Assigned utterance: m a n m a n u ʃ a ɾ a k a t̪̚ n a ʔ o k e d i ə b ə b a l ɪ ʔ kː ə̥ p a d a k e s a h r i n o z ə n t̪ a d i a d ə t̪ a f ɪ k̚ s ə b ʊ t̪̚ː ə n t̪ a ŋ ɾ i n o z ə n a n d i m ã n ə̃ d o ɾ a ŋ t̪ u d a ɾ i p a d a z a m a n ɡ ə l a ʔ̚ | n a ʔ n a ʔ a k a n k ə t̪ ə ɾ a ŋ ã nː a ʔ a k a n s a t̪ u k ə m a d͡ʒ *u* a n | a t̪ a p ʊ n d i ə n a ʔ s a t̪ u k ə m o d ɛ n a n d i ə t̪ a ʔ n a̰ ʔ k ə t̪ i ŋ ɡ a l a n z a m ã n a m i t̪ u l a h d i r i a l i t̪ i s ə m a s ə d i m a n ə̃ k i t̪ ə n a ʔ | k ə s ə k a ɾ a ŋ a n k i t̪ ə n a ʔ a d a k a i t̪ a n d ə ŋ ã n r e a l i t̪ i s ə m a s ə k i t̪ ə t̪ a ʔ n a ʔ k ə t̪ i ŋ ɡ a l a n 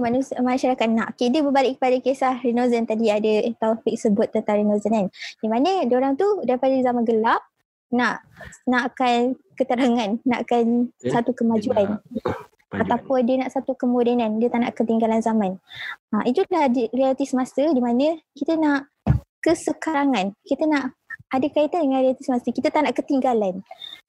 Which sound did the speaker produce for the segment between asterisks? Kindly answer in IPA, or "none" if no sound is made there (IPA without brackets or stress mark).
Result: u